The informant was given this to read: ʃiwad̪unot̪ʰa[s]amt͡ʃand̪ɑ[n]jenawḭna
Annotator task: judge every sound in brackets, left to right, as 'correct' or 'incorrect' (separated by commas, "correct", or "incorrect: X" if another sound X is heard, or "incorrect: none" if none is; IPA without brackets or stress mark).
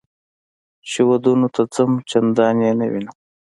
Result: incorrect: t͡s, correct